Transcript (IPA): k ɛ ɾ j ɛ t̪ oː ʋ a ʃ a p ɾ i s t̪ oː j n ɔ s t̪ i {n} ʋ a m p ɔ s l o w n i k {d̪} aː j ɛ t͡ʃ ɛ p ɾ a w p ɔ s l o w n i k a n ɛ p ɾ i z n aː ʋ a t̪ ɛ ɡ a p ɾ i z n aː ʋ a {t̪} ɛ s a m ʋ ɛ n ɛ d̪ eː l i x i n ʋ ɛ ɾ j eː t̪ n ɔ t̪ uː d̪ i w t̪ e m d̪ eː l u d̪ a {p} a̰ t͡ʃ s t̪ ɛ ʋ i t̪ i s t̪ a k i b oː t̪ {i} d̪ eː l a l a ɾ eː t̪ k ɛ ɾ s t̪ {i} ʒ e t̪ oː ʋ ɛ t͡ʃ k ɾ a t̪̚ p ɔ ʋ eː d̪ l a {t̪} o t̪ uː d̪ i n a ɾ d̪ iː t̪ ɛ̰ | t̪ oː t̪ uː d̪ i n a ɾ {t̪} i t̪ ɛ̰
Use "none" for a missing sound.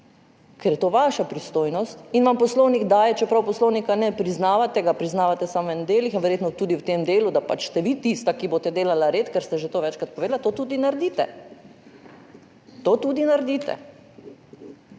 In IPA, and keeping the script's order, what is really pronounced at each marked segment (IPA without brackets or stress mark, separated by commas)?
n, d̪, t̪, p, ɛ, ɛ, t̪, d̪